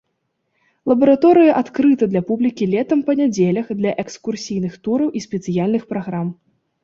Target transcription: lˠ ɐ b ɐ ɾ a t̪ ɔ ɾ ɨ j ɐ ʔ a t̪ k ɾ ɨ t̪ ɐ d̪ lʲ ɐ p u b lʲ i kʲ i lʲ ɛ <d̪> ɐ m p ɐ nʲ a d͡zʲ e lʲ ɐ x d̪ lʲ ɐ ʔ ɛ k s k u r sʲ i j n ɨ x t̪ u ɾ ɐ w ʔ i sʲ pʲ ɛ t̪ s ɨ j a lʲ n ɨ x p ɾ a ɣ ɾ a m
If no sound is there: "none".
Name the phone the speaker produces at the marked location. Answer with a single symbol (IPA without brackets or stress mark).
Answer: t̪